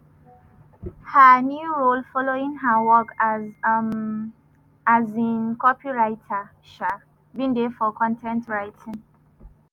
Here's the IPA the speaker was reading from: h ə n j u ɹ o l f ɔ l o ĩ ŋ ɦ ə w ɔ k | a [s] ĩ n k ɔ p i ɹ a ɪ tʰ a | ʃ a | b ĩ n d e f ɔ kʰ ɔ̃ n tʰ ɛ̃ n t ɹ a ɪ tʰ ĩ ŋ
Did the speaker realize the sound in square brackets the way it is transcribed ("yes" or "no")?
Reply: no